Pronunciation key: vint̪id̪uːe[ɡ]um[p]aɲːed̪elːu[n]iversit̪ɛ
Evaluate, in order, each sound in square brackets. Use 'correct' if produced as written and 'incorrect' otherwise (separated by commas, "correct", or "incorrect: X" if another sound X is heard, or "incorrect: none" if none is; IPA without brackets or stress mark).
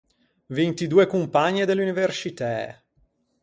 incorrect: k, correct, correct